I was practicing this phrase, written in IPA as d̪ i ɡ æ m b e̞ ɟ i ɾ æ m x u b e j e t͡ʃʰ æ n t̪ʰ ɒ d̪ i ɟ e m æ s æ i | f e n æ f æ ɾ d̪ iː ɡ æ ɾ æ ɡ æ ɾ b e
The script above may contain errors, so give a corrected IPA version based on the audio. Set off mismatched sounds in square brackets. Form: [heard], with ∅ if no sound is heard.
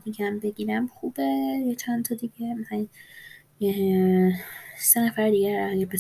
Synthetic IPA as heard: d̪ i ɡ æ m b e̞ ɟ i ɾ æ m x u b e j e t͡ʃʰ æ n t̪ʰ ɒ d̪ i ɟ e m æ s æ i | [s] e n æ f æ ɾ d̪ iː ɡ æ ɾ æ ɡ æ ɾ b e